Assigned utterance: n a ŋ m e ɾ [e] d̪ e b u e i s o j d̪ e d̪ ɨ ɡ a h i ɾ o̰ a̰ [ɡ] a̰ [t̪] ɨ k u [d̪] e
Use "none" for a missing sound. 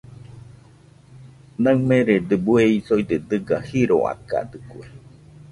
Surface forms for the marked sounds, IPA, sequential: e, k, d̪, none

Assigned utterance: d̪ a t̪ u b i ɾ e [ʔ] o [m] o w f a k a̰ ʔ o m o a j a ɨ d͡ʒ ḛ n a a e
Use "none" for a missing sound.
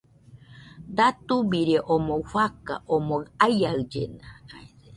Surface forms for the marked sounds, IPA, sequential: ʔ, m

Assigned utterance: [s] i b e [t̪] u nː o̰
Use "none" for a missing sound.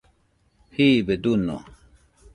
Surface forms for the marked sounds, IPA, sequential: h, d̪

